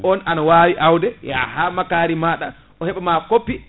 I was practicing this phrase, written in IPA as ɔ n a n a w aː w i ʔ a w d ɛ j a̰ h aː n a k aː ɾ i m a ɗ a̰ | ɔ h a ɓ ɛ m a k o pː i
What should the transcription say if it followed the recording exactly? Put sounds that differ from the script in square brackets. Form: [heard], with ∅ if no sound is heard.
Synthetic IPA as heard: ɔ n a n a w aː w i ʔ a w d ɛ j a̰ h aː [m] a k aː ɾ i m a ɗ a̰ | ɔ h [ɛ] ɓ ɛ m a k o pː i